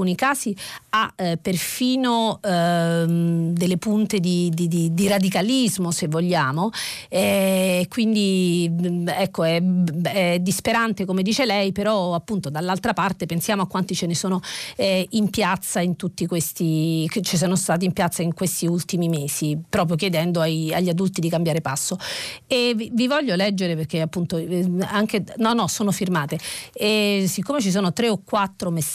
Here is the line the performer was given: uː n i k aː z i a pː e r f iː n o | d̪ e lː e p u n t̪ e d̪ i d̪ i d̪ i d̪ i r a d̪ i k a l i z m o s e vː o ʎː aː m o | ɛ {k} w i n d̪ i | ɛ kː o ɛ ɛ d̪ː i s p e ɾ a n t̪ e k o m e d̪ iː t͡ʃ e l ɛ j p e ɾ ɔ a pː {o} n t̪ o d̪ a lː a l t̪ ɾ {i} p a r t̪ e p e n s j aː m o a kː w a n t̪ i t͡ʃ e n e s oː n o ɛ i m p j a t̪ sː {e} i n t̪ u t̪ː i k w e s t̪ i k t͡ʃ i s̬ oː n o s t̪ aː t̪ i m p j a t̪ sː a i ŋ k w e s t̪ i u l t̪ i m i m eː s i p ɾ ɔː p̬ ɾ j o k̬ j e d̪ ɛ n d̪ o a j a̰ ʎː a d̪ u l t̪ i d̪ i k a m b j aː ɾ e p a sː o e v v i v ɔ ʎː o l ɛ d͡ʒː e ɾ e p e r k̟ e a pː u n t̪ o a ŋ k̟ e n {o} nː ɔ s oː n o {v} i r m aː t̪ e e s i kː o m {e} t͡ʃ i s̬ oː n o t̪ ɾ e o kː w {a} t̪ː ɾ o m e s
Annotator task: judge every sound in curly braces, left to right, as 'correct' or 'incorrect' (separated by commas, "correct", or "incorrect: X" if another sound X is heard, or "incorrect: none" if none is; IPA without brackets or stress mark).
correct, incorrect: u, incorrect: a, incorrect: a, incorrect: ɔ, incorrect: f, correct, correct